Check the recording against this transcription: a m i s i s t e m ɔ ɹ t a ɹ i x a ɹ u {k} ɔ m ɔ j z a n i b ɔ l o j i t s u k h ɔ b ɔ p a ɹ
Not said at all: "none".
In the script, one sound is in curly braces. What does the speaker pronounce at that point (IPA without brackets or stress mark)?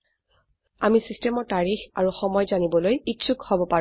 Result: x